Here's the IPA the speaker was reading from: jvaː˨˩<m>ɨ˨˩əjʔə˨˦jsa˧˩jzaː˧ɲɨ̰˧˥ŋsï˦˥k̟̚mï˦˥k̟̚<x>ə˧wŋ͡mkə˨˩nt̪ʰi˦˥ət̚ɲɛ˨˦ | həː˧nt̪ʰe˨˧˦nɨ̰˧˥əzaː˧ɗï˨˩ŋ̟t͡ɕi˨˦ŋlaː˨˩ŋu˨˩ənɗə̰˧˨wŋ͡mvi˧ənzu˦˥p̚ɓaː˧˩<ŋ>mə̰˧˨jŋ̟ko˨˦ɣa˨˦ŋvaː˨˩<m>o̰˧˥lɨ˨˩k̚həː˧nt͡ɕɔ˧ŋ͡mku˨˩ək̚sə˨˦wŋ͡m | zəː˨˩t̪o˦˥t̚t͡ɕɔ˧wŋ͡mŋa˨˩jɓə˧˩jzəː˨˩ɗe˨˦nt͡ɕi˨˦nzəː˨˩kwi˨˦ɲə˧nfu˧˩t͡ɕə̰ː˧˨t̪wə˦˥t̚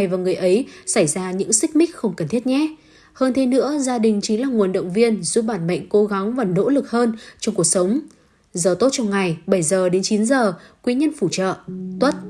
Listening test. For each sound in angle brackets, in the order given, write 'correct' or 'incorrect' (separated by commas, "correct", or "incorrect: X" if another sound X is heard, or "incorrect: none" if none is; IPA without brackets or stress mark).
incorrect: ŋ, correct, incorrect: n, incorrect: n